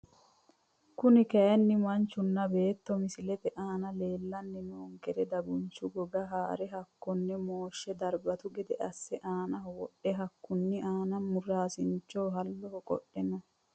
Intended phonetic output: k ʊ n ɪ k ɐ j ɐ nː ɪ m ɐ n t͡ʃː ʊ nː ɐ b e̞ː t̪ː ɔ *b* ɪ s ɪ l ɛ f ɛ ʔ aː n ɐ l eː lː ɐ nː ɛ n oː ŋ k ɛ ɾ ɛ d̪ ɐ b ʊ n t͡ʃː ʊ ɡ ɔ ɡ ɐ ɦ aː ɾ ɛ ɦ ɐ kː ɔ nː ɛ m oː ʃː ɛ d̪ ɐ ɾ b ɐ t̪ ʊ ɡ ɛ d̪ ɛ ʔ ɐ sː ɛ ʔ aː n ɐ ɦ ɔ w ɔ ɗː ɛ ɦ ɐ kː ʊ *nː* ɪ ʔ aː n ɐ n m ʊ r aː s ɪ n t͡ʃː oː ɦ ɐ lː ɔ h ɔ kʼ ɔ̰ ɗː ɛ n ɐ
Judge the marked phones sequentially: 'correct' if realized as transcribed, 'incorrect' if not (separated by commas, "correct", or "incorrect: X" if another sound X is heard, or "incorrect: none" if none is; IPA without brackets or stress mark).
incorrect: m, correct